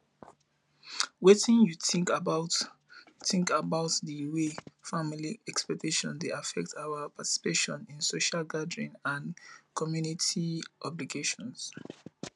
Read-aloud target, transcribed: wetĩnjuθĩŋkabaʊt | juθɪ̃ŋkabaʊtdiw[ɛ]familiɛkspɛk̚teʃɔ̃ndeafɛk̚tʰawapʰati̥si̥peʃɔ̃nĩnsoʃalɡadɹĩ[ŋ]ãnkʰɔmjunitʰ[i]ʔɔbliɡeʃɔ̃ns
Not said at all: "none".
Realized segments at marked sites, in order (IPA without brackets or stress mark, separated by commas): e, n, i